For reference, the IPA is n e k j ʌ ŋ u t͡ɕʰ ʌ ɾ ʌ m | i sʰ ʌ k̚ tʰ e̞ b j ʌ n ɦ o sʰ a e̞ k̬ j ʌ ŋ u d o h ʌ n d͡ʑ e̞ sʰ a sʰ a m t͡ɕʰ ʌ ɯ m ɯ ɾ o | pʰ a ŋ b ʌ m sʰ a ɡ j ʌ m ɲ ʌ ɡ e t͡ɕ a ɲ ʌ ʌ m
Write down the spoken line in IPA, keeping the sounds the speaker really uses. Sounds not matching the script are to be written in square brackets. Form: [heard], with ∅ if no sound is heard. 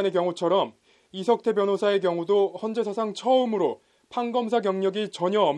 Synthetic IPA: n e k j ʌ ŋ u t͡ɕʰ ʌ ɾ ʌ m | i sʰ ʌ k̚ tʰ e̞ b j ʌ n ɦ o sʰ a e̞ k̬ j ʌ ŋ u d o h ʌ n d͡ʑ e̞ sʰ a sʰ a [ŋ] t͡ɕʰ ʌ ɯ m ɯ ɾ o | pʰ a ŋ [ɡ] ʌ m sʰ a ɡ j ʌ [ŋ] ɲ ʌ ɡ [i] t͡ɕ [ʌ] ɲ ʌ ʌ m